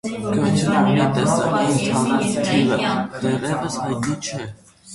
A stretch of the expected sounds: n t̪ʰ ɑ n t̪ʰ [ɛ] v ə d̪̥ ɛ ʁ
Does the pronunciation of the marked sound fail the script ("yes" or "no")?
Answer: yes